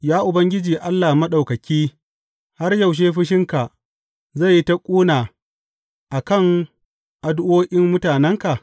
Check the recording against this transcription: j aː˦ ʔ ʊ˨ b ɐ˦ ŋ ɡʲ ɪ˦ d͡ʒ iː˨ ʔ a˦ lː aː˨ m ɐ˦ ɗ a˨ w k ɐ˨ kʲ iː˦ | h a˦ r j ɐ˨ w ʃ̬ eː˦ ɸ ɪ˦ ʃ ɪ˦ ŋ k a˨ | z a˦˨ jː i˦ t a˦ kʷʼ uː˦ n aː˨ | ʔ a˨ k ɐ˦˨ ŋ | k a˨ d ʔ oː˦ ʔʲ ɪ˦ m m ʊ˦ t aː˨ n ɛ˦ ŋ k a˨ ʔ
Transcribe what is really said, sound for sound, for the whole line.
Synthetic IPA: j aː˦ ʔ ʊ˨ b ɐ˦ ŋ ɡʲ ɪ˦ d͡ʒ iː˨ ʔ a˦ lː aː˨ m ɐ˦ ɗ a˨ w k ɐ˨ kʲ iː˦ | h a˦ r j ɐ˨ w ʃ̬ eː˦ ɸ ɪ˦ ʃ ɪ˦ ŋ k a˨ | z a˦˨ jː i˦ t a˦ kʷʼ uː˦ n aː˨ | ʔ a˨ k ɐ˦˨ ŋ | ʔ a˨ d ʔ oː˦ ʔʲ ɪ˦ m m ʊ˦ t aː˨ n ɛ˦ ŋ k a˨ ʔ